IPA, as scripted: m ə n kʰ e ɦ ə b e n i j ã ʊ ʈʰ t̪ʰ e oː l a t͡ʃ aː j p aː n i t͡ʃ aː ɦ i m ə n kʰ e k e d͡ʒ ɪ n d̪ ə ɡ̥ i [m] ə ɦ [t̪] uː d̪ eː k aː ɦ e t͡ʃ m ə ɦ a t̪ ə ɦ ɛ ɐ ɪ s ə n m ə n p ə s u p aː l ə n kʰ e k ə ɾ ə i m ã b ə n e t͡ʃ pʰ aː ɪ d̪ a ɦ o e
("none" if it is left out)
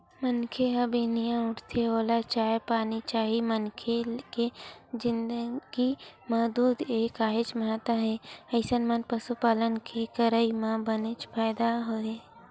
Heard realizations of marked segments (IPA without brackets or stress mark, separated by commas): m, d̪